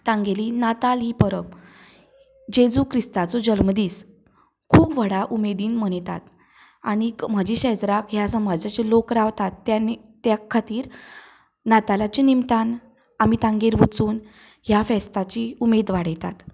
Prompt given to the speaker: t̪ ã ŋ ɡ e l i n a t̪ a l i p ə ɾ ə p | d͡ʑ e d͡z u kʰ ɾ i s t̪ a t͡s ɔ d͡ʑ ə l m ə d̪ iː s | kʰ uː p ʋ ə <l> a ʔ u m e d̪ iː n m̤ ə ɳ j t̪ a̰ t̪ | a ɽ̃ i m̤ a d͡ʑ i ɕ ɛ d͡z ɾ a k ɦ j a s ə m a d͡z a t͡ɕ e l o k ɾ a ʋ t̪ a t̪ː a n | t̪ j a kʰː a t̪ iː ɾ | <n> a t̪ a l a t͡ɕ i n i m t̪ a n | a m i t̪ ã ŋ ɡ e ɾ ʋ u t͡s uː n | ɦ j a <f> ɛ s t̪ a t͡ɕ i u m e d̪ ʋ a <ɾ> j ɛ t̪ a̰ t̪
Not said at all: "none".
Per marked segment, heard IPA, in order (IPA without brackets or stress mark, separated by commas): ɽ, n, f, ɽ